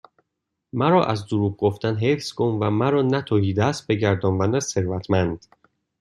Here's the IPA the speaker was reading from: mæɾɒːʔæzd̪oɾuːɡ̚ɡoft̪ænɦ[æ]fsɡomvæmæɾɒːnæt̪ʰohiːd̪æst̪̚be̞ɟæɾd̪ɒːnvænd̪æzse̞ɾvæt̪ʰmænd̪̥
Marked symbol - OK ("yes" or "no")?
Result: no